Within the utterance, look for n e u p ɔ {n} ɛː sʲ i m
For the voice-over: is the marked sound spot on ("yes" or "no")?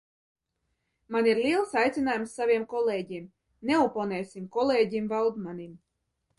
yes